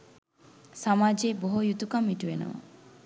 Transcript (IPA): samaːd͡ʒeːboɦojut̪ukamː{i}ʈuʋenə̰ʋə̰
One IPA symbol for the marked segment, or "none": i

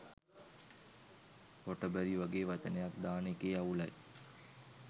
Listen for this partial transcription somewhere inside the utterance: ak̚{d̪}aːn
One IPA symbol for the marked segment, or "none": d̪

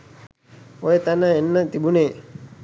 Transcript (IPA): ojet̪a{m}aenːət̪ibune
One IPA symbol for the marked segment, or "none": n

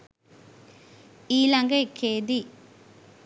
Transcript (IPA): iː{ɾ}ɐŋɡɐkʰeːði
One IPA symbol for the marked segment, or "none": l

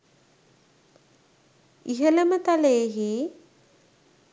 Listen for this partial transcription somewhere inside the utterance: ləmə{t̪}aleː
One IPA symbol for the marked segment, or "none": t̪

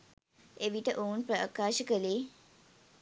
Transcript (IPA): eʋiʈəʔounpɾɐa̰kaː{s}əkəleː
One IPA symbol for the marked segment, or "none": ʃ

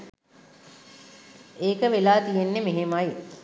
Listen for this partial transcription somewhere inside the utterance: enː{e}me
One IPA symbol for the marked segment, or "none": e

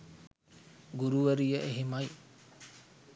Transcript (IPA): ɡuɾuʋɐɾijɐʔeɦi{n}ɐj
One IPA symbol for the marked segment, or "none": m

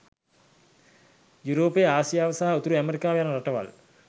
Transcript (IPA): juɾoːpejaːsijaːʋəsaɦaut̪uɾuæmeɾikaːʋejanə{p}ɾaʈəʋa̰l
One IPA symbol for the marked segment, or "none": none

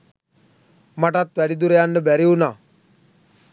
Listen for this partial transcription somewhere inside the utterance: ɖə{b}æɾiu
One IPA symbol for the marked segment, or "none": b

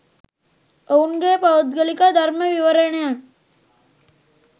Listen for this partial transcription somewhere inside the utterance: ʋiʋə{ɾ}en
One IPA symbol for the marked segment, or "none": ɾ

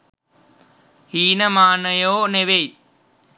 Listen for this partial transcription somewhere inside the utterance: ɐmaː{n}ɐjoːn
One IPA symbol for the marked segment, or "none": n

